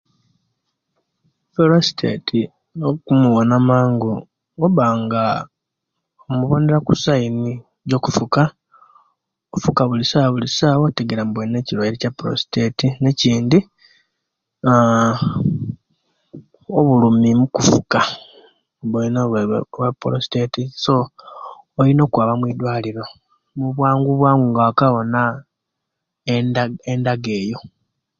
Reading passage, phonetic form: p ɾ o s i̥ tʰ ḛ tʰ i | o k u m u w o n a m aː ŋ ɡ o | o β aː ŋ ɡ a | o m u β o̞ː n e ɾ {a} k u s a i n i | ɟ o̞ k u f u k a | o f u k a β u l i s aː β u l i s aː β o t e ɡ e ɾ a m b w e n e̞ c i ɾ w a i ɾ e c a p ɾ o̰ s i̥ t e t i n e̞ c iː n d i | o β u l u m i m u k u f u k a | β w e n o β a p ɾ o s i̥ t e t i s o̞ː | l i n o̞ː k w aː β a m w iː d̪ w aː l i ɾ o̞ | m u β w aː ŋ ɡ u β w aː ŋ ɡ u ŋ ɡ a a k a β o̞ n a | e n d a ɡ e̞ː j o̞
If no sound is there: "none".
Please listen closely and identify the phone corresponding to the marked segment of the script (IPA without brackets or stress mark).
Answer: a